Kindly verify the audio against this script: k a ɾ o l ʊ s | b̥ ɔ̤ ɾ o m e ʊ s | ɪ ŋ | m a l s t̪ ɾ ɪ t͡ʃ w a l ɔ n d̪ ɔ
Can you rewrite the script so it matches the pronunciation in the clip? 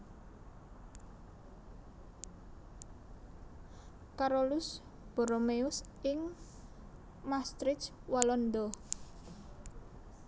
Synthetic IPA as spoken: k a ɾ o l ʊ s | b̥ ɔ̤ ɾ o m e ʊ s | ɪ ŋ | m a s t̪ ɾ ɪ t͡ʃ w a l ɔ n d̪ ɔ